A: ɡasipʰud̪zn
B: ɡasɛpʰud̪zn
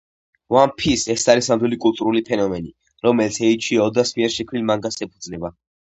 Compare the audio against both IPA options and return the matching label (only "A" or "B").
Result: B